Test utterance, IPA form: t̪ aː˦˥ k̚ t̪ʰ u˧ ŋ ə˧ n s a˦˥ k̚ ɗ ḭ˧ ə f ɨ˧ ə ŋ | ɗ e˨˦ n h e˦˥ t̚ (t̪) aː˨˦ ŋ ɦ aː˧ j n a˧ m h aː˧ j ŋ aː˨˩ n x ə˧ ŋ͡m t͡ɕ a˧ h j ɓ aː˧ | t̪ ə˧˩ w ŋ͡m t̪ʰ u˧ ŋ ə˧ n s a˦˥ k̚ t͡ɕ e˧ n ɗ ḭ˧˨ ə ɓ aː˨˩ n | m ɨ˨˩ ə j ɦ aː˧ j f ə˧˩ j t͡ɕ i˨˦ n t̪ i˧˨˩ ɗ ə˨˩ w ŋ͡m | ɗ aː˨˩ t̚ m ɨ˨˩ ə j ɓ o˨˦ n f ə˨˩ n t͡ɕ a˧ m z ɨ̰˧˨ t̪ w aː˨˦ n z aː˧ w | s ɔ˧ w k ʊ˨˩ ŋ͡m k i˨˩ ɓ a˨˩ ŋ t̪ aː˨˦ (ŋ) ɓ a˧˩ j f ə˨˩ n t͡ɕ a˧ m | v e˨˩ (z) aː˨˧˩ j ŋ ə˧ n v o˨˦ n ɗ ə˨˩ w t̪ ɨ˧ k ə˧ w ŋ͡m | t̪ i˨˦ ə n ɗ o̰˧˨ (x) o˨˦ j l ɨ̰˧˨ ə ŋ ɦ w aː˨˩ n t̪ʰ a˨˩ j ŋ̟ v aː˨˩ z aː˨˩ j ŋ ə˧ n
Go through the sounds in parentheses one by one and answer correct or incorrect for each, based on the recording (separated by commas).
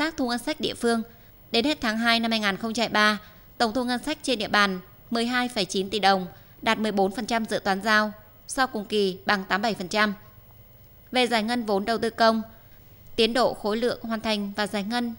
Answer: incorrect, incorrect, correct, correct